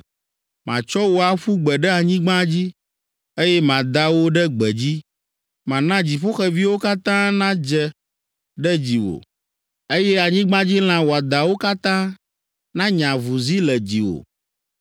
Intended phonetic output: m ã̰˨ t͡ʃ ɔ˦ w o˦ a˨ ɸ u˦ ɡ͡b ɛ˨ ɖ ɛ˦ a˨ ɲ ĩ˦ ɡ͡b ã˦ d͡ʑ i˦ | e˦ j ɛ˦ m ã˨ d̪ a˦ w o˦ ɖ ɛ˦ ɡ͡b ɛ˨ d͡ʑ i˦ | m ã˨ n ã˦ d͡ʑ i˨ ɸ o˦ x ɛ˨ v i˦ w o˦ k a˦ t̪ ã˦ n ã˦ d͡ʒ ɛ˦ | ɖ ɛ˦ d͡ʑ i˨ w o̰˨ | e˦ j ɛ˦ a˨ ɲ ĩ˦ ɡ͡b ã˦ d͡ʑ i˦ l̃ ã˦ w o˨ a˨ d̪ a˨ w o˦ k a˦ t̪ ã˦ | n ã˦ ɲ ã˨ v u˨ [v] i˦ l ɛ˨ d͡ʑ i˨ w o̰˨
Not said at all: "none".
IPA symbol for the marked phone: z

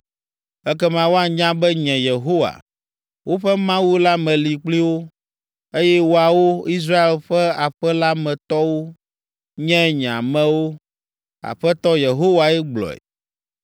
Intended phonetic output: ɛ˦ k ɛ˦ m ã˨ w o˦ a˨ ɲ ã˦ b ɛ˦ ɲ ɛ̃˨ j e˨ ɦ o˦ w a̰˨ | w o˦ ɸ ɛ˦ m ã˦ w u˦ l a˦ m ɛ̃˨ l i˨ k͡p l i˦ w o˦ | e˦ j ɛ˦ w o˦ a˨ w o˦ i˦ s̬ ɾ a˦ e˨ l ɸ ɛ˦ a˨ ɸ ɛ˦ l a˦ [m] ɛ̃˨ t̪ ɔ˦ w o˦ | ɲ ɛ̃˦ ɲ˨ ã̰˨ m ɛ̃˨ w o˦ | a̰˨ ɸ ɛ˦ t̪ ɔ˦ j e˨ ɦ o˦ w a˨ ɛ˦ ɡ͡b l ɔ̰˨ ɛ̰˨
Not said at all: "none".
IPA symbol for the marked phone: m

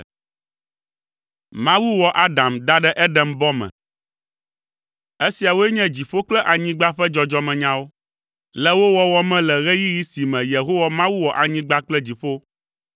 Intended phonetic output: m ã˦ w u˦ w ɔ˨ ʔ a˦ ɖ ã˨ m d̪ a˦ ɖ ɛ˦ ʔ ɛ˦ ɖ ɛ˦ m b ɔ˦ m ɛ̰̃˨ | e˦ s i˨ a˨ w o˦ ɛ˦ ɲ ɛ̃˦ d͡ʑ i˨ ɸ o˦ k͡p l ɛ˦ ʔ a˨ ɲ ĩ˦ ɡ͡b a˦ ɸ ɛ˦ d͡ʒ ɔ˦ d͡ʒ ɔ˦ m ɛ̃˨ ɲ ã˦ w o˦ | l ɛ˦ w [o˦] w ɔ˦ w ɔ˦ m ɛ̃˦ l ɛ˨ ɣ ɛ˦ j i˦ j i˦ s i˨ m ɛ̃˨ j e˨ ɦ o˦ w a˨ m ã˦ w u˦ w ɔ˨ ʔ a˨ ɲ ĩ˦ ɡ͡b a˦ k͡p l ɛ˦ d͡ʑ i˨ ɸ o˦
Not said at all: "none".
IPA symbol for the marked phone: o˦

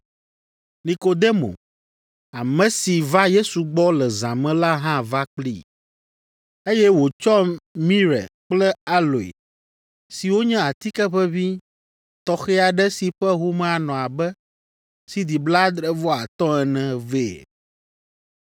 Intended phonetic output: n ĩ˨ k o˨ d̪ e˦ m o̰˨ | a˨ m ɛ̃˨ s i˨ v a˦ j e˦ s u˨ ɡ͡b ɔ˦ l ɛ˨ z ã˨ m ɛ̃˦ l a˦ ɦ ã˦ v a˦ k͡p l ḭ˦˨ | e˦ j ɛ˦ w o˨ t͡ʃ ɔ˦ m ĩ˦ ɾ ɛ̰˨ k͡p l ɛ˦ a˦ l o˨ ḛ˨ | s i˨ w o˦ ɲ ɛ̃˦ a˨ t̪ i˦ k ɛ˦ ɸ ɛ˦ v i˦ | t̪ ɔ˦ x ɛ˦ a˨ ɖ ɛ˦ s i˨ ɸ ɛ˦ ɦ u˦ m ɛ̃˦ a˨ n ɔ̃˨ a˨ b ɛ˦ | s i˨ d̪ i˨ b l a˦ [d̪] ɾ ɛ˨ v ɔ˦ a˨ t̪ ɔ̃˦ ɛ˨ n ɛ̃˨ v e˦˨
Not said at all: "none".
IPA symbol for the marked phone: d̪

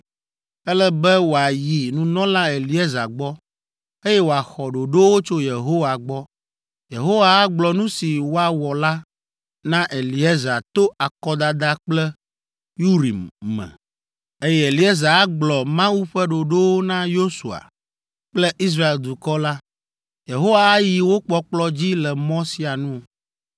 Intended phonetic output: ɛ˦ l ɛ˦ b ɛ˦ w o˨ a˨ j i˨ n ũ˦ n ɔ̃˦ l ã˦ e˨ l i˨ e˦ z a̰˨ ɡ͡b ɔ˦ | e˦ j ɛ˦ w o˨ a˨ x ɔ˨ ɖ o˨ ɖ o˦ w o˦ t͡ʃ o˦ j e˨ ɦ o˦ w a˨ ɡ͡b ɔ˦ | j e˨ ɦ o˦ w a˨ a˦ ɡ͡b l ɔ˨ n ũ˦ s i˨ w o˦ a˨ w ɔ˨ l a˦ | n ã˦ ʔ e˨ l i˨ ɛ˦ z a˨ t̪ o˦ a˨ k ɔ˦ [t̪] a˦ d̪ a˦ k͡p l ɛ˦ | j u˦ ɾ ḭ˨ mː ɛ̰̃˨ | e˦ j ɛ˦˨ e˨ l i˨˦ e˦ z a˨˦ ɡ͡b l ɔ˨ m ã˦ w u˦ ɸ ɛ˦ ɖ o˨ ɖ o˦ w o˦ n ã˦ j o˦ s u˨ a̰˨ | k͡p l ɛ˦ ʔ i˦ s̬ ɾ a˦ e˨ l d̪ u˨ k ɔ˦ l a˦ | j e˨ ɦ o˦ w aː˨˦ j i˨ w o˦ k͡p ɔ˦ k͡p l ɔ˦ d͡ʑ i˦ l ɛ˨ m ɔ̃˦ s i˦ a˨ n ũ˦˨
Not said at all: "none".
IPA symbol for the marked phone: d̪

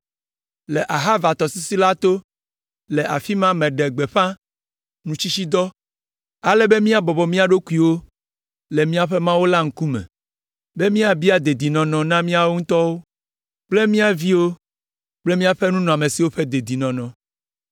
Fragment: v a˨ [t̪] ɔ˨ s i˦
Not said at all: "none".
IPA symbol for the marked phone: t̪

